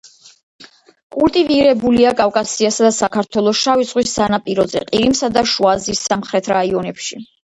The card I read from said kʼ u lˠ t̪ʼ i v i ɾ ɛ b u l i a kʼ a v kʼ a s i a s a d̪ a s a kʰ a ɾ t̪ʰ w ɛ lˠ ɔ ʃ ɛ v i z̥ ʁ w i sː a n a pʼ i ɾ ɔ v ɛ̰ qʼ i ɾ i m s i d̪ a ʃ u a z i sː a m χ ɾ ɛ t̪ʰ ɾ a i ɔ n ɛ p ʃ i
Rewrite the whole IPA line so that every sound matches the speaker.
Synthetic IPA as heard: kʼ u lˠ t̪ʼ i v i ɾ ɛ b u l i a kʼ a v kʼ a s i a s a d̪ a s a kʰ a ɾ t̪ʰ w ɛ lˠ ɔ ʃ a v i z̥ ʁ w i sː a n a pʼ i ɾ ɔ z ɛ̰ qʼ i ɾ i m s a d̪ a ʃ u a z i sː a m χ ɾ ɛ t̪ʰ ɾ a i ɔ n ɛ p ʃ i